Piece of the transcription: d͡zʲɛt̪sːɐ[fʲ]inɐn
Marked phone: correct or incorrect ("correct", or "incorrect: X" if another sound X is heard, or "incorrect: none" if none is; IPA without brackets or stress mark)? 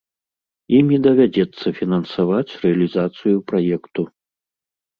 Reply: correct